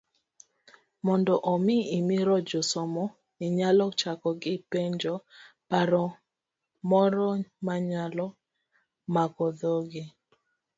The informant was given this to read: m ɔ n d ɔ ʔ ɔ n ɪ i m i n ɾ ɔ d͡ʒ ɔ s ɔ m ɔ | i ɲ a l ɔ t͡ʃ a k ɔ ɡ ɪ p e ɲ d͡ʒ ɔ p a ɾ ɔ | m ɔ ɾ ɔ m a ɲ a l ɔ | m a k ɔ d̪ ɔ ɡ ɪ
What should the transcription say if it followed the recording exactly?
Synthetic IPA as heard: m ɔ n d ɔ ʔ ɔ m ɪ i m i ɾ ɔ d͡ʒ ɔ s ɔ m ɔ | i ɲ a l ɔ t͡ʃ a k ɔ ɡ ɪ p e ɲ d͡ʒ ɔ p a ɾ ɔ | m ɔ ɾ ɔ m a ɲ a l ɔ | m a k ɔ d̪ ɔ ɡ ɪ